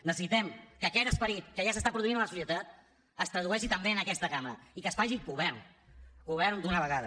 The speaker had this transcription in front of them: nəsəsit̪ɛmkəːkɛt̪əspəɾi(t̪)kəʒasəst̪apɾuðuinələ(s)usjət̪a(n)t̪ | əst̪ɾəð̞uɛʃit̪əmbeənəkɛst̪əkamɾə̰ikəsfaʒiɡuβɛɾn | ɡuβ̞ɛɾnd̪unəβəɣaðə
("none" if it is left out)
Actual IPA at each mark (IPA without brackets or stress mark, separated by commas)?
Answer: t̪, s, none